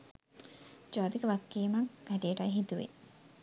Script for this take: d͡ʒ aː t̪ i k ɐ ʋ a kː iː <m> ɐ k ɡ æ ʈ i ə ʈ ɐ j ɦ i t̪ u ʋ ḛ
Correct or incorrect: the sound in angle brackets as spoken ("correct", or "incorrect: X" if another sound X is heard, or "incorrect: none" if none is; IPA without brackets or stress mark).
correct